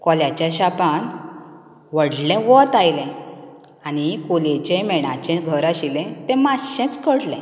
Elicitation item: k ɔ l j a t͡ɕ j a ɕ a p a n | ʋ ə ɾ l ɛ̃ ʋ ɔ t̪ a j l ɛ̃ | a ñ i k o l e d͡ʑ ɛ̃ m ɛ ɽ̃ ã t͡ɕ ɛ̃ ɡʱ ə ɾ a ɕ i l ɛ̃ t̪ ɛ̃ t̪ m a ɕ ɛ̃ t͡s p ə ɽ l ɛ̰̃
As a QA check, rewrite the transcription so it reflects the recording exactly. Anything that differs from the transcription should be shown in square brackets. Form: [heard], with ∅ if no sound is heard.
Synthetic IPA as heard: k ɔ l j a t͡ɕ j a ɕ a p a n | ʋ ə [ɽ] l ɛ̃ ʋ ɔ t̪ a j l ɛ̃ | a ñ i k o l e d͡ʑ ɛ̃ m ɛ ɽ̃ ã t͡ɕ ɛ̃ ɡʱ ə ɾ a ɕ i l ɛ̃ t̪ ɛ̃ [∅] m a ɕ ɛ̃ t͡s [k] ə ɽ l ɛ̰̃